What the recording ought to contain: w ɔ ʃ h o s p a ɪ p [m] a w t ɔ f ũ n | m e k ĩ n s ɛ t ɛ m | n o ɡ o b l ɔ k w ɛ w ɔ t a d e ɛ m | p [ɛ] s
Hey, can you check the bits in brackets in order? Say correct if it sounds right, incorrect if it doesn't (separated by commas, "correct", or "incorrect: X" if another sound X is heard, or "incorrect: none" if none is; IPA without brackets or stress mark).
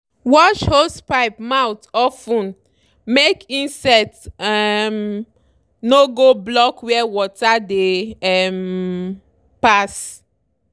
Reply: correct, incorrect: a